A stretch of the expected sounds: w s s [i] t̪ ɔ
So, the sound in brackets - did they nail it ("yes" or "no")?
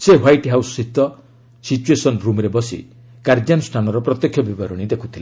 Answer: yes